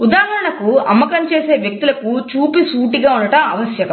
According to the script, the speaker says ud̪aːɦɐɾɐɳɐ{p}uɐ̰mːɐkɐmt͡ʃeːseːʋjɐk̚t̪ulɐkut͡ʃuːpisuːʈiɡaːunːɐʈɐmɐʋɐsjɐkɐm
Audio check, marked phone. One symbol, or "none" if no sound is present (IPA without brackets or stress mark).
k